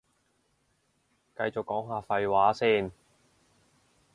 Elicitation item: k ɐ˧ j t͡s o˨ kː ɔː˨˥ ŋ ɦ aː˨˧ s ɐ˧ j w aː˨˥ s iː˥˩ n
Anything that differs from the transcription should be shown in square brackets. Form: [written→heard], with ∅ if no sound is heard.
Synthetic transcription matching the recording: k ɐ˧ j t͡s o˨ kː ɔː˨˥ ŋ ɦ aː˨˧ [s→f] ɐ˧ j w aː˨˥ s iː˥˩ n